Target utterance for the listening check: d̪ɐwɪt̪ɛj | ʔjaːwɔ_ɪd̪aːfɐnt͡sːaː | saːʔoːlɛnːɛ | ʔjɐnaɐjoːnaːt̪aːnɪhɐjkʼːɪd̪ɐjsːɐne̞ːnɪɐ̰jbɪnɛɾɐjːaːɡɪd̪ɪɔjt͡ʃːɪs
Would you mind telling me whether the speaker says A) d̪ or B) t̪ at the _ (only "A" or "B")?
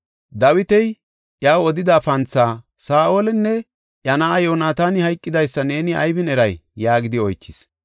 A